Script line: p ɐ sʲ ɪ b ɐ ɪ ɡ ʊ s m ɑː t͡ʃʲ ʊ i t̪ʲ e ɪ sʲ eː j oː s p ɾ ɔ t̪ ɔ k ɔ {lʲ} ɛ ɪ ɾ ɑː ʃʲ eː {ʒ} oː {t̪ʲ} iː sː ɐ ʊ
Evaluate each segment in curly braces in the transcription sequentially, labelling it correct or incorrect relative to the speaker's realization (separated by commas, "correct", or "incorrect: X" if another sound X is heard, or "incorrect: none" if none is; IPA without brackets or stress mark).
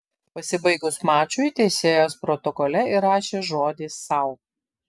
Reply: correct, correct, incorrect: d̪ʲ